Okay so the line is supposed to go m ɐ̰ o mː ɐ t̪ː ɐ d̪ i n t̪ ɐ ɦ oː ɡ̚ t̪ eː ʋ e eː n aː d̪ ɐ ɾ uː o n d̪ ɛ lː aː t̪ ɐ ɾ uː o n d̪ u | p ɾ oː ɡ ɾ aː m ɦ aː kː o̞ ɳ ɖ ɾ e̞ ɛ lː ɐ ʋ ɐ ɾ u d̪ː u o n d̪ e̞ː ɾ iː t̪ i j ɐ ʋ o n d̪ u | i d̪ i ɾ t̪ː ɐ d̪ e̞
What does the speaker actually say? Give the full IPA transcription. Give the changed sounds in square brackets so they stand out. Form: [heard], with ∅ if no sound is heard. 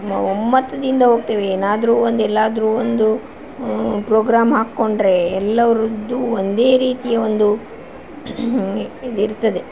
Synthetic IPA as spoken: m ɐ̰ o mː ɐ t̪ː ɐ d̪ i n [d̪] ɐ ɦ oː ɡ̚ t̪ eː ʋ e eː n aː d̪ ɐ ɾ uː o n d̪ ɛ lː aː [d̪] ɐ ɾ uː o n d̪ u | p ɾ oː ɡ ɾ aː m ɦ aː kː o̞ ɳ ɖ ɾ e̞ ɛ lː ɐ ʋ ɐ ɾ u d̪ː u o n d̪ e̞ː ɾ iː t̪ i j ɐ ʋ o n d̪ u | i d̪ i ɾ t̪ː ɐ d̪ e̞